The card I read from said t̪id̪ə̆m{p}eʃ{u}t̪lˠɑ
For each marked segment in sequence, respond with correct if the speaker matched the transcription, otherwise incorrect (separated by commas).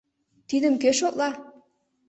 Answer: incorrect, incorrect